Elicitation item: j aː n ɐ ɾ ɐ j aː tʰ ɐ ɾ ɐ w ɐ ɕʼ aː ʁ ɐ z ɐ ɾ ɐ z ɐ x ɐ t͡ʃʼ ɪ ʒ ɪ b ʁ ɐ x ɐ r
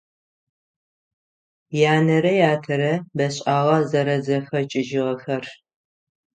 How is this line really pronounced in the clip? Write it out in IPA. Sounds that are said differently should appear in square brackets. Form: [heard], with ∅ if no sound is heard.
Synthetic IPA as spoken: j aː n ɐ ɾ ɐ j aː tʰ ɐ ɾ ɐ [b] ɐ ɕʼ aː ʁ ɐ z ɐ ɾ ɐ z ɐ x ɐ t͡ʃʼ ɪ ʒ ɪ [∅] ʁ ɐ x ɐ r